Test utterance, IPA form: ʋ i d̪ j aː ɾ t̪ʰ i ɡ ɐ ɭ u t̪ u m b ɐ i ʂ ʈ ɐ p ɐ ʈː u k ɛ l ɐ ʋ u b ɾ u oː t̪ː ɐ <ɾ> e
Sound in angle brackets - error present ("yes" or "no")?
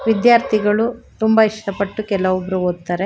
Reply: no